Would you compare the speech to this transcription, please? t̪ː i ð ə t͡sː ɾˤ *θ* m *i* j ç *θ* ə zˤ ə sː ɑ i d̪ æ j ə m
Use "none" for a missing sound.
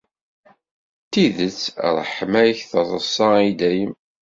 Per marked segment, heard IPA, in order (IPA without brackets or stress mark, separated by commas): ħ, æ, θ